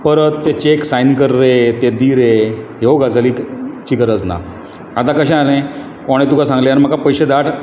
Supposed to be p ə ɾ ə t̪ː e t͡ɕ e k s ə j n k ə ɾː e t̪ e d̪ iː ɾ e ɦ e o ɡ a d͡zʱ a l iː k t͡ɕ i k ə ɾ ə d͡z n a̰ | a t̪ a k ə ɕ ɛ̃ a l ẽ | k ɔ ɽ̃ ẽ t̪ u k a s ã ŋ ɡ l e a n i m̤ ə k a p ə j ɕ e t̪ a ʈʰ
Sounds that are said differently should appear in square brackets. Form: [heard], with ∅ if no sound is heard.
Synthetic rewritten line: p ə ɾ ə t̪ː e t͡ɕ e k s [a] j n k ə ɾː e t̪ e d̪ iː ɾ e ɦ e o ɡ a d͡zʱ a l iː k t͡ɕ i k ə ɾ ə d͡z n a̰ | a t̪ a k ə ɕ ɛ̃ a l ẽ | k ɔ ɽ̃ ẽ t̪ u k a s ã ŋ ɡ l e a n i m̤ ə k a p ə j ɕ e [d̪] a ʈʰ